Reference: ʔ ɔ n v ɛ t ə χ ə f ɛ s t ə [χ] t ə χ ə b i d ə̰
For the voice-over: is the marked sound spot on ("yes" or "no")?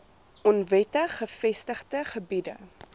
yes